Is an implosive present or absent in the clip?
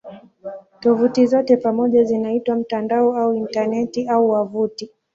present